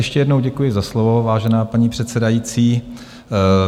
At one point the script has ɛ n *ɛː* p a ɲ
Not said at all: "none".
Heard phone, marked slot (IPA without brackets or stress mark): aː